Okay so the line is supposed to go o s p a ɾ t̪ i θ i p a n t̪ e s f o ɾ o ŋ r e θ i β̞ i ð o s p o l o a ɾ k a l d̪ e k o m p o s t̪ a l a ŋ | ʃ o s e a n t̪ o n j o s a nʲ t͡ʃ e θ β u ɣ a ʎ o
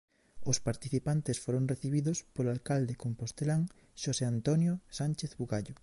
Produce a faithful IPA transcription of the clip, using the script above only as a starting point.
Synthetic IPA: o s p a ɾ t̪ i θ i p a n t̪ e s f o ɾ o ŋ r e θ i β̞ i ð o s p o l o a l k a l d̪ e k o m p o s t̪ e l a ŋ | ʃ o s e a n t̪ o n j o s a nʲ t͡ʃ e θ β u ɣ a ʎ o